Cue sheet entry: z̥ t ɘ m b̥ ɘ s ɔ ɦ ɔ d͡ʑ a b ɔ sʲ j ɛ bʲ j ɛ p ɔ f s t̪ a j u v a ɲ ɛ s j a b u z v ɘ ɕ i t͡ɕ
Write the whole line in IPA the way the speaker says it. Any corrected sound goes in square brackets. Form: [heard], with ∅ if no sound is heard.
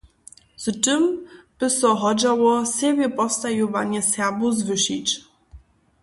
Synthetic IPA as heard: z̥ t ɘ m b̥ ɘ s ɔ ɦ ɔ d͡ʑ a [w] ɔ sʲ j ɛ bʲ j ɛ p ɔ f s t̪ a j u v a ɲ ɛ s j a b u z v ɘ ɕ i t͡ɕ